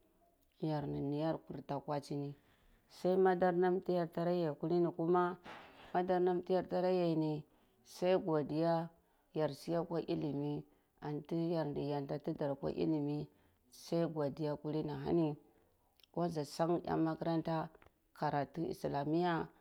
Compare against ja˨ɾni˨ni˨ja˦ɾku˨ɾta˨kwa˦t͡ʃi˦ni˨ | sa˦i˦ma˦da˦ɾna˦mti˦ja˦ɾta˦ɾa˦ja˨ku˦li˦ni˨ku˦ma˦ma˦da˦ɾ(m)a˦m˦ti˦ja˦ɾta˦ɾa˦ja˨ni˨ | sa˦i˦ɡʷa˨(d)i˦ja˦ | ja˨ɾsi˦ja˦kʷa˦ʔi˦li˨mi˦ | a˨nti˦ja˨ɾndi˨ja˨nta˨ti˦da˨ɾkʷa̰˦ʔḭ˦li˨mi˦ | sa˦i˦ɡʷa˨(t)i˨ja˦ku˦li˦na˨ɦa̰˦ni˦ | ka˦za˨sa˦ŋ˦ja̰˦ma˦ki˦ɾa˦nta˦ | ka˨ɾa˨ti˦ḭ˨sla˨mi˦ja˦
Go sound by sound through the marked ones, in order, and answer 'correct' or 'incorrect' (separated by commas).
incorrect, correct, incorrect